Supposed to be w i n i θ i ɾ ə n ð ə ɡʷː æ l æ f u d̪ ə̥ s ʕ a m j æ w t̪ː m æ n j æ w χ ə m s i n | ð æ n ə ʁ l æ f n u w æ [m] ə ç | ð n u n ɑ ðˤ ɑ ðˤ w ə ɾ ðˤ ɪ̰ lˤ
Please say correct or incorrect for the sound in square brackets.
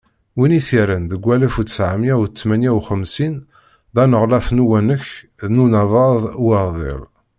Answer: incorrect